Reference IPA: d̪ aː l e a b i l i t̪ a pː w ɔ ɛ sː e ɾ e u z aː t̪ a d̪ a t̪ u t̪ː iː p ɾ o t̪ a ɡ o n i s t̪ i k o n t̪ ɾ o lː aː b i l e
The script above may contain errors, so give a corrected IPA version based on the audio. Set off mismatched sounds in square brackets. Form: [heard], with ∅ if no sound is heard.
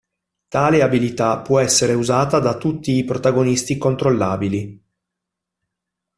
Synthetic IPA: [t̪] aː l e a b i l i t̪ a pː w ɔ ɛ sː e ɾ e u z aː t̪ a d̪ a t̪ u t̪ː iː p ɾ o t̪ a ɡ o n i s t̪ i k o n t̪ ɾ o lː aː b i l [i]